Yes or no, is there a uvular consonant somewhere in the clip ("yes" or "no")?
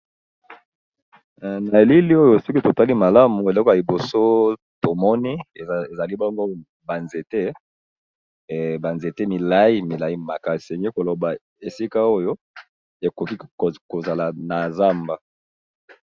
no